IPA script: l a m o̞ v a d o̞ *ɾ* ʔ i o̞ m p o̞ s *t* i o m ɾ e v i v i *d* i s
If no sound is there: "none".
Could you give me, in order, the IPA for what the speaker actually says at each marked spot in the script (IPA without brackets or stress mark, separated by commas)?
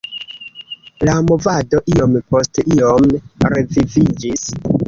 none, t, d͡ʒ